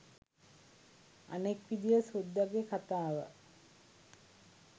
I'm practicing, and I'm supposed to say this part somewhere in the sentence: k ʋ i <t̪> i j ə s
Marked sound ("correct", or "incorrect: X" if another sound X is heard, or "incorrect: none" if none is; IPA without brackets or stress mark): incorrect: d̪